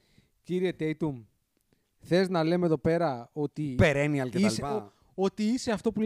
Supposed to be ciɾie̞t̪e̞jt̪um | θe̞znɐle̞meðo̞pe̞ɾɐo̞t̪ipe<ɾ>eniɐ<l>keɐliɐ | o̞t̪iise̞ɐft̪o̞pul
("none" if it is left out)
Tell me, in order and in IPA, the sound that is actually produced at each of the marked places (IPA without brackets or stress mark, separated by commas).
ɾ, l